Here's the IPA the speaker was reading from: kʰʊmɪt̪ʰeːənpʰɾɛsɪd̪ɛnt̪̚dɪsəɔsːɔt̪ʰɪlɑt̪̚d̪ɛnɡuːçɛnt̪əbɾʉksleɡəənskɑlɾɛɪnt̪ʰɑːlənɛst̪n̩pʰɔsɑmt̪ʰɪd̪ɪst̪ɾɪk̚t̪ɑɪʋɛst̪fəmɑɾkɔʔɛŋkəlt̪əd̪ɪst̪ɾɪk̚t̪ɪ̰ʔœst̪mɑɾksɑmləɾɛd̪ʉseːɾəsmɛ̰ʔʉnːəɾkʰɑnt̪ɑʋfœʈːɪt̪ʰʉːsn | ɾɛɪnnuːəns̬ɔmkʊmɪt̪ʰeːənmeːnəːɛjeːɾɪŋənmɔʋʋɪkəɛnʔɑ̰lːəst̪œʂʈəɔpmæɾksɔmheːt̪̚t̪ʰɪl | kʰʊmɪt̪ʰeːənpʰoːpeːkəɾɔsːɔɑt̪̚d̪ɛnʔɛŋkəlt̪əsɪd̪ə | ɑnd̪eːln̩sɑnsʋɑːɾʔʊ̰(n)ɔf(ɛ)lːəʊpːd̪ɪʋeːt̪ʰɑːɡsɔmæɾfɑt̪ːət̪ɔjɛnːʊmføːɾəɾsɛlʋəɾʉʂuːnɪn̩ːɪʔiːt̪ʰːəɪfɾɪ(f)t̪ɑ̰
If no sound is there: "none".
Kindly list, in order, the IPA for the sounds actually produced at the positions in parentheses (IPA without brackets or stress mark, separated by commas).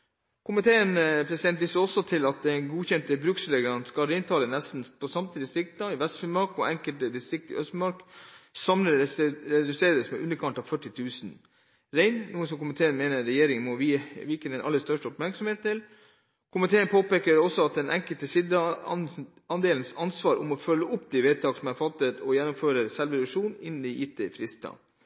m, œ, s